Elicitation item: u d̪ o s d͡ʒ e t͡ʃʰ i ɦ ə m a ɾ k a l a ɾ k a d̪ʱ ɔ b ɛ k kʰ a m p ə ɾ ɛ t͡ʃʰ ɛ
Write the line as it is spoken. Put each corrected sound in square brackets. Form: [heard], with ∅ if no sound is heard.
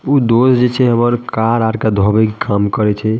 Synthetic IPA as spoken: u d̪ o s d͡ʒ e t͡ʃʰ [ɛ] ɦ ə m [ə] ɾ k a [ɾ] a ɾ k a d̪ʱ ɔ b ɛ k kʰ a m [k] ə ɾ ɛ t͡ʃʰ ɛ

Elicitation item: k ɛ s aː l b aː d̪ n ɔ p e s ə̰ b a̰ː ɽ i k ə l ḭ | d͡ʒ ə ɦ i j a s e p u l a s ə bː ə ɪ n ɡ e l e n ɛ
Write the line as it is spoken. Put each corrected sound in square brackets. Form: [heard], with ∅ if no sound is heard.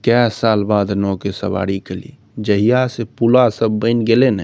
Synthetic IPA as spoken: k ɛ s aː l b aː d̪ n ɔ [k] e s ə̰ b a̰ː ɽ i k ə l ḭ | d͡ʒ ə ɦ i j a s e p u l a s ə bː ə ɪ n ɡ e l e n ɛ

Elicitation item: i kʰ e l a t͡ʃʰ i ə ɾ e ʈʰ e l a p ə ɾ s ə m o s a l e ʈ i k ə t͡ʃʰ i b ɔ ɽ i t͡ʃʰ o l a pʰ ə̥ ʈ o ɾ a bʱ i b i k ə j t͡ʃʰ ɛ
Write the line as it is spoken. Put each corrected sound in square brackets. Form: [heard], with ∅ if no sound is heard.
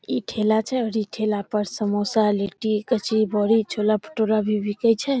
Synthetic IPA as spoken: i [ʈʰ] e l a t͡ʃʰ [ɛ] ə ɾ [i] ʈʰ e l a p ə ɾ s ə m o s a l e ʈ i k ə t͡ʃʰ i b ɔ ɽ i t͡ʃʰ o l a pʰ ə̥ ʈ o ɾ a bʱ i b i k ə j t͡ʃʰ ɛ

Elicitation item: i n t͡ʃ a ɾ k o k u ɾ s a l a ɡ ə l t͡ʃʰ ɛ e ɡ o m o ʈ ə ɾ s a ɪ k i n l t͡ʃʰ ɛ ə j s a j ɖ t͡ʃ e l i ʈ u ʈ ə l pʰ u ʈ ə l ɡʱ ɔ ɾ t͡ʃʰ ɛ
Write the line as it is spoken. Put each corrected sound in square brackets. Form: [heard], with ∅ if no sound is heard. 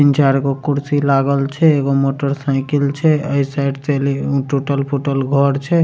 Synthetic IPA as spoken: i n t͡ʃ a ɾ k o k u ɾ s [i] l a ɡ ə l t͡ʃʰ ɛ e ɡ o m o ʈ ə ɾ s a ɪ k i [∅] l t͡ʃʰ ɛ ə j s a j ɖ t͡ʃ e l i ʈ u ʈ ə l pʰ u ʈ ə l ɡʱ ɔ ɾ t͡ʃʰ ɛ

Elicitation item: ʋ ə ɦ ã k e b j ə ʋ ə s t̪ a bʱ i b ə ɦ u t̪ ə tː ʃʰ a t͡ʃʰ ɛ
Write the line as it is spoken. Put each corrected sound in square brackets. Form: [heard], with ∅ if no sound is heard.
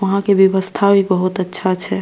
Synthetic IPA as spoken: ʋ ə ɦ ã k e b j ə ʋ ə s [t̪ʰ] a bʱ i b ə ɦ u t̪ ə tː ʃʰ a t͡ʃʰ ɛ

